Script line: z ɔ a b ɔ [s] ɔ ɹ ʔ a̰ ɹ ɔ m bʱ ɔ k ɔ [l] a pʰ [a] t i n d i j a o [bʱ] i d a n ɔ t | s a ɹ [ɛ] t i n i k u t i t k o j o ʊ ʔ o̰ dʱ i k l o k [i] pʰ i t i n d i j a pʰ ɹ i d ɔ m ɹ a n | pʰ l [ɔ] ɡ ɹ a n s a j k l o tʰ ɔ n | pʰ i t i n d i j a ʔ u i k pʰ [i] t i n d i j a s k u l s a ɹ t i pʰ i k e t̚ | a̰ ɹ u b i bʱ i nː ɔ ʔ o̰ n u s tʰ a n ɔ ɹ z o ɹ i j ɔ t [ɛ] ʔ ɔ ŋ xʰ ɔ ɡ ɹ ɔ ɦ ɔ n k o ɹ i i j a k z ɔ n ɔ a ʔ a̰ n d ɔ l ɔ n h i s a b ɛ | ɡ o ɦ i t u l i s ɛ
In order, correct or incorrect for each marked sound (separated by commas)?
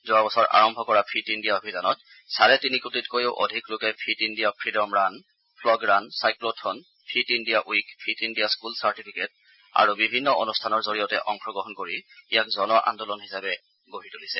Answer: correct, incorrect, incorrect, correct, correct, incorrect, correct, correct, correct